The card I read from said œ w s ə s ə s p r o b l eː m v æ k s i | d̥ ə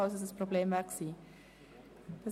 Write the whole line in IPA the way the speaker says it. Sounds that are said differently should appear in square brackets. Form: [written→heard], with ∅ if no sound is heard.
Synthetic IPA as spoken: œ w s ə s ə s p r o b l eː m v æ k s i | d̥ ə